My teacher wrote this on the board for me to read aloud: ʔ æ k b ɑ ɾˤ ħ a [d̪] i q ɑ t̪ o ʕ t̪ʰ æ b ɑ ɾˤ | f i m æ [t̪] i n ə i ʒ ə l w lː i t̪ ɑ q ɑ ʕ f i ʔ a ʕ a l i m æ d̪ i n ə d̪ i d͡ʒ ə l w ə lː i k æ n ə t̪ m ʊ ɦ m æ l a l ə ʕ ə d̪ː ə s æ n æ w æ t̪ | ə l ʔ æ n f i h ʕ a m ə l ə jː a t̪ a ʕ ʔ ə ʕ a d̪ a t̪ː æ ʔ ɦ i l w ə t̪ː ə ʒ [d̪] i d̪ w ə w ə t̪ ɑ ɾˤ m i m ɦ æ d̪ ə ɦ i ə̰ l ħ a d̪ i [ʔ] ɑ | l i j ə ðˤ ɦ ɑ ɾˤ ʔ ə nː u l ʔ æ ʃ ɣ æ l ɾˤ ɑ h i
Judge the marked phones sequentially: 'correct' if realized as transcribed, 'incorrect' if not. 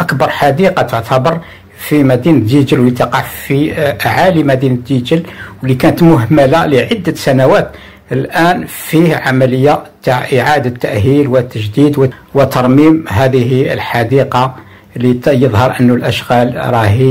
correct, incorrect, correct, incorrect

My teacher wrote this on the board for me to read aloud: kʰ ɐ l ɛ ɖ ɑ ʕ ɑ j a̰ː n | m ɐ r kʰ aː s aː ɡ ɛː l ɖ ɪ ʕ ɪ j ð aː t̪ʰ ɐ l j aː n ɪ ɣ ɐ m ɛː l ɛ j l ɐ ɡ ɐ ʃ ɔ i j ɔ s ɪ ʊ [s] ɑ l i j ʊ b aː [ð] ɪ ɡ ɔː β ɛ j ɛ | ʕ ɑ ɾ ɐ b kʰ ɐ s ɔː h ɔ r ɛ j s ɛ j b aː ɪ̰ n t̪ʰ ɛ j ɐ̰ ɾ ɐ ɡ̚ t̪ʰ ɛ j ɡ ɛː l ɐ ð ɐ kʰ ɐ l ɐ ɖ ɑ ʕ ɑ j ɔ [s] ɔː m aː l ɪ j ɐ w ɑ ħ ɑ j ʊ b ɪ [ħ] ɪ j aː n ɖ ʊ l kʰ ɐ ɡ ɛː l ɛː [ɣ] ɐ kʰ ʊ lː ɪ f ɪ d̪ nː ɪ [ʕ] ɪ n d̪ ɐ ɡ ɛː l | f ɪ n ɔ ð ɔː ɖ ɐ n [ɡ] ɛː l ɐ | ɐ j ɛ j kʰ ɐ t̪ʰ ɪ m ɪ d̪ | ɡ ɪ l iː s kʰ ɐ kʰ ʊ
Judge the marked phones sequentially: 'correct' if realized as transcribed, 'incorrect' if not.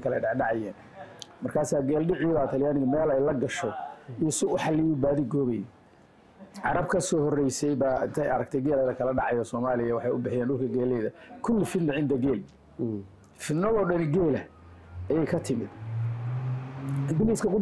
incorrect, correct, correct, correct, incorrect, correct, correct

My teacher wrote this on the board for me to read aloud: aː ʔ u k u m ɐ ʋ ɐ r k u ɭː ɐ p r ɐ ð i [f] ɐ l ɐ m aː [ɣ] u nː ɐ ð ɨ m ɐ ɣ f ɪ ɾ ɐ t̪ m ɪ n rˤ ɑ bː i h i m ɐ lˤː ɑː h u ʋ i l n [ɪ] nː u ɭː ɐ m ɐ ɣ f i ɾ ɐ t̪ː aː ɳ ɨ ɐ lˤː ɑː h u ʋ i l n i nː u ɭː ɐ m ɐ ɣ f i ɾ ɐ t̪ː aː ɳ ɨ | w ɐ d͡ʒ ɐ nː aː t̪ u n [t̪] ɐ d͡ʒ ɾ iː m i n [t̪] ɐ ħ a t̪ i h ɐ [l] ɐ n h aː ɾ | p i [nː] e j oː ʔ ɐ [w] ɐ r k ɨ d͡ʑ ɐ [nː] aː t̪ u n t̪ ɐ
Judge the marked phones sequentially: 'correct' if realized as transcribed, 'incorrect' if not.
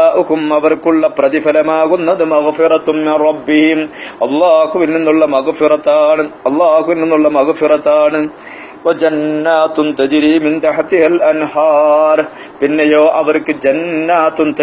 correct, correct, incorrect, correct, correct, correct, correct, incorrect, correct

